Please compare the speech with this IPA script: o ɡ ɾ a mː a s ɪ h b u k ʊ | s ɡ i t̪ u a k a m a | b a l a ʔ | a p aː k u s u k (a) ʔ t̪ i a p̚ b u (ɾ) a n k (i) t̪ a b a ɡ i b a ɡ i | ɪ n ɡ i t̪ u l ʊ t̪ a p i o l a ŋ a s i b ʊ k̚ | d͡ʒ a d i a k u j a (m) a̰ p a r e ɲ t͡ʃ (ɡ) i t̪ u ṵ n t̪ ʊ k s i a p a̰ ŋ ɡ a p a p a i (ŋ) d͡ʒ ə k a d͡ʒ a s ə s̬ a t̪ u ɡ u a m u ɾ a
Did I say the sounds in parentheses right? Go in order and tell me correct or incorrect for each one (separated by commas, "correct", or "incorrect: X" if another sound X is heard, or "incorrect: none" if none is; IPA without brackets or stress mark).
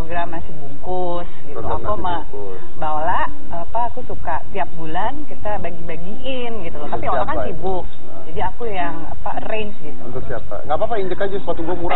correct, incorrect: l, correct, incorrect: ŋ, correct, incorrect: ɲ